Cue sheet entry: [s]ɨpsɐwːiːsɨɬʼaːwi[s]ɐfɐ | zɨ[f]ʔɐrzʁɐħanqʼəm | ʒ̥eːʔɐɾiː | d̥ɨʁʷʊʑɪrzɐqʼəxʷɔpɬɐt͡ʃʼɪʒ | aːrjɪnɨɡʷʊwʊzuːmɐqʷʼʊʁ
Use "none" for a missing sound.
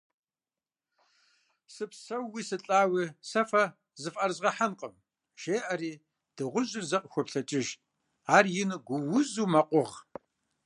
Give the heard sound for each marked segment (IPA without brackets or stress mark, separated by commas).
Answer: s, s, f